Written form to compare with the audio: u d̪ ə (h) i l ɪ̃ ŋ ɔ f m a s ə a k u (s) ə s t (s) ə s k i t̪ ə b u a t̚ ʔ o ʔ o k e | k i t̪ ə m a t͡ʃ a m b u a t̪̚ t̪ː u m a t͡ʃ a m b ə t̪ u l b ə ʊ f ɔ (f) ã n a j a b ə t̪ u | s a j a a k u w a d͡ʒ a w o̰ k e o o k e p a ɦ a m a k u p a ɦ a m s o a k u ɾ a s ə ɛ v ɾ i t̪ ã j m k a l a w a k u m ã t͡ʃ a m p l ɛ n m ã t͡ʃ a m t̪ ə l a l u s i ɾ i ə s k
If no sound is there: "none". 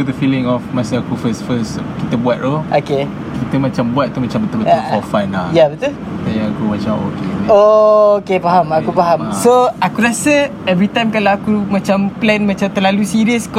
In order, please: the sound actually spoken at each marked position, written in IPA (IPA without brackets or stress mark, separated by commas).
f, f, f, f